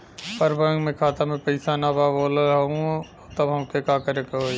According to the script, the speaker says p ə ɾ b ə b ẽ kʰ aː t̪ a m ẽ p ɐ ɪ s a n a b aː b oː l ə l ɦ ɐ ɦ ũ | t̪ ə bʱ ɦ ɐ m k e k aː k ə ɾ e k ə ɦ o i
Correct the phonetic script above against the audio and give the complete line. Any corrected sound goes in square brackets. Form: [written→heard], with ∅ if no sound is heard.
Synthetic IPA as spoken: p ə ɾ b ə [b→m] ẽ kʰ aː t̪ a m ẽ p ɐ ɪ s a n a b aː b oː l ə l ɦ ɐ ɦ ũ | t̪ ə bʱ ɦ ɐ m k e k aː k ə ɾ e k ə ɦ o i